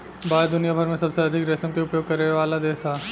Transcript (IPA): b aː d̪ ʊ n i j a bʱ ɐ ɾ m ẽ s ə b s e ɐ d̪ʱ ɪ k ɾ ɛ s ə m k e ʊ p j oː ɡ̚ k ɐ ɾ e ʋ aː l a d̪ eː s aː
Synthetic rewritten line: b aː d̪ ʊ n i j a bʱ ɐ ɾ m ẽ s ɐ b s e ɐ d̪ʱ ɪ k ɾ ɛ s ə m k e ʊ p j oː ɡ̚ k ɐ ɾ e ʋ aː l a d̪ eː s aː